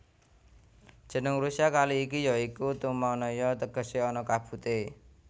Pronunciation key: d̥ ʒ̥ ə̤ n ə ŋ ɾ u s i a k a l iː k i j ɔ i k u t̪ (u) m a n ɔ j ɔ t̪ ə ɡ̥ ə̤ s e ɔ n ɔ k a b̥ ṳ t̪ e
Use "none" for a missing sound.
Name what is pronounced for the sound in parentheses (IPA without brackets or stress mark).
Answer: u